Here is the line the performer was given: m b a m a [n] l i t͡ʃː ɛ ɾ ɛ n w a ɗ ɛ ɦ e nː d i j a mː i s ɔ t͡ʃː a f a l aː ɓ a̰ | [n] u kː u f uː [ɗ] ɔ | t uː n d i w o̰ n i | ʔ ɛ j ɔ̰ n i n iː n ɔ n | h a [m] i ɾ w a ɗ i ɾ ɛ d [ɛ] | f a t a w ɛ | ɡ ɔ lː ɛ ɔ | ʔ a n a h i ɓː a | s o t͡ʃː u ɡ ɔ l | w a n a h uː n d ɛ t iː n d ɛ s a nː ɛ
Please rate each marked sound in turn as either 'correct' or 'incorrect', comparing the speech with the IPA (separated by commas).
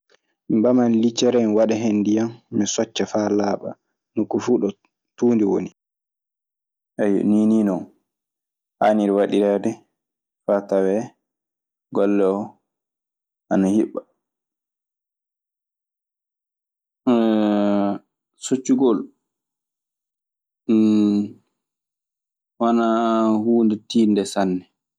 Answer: correct, correct, correct, incorrect, correct